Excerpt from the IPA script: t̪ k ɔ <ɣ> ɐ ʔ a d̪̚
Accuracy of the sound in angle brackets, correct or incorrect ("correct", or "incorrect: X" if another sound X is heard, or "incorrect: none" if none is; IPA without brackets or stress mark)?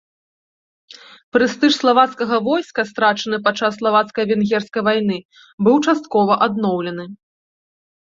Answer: incorrect: v